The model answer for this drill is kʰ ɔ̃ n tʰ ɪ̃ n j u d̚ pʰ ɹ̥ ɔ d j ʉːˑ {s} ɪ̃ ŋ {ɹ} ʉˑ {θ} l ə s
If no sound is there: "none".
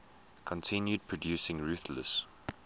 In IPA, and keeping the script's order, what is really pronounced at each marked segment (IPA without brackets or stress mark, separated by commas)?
s, ɹ, θ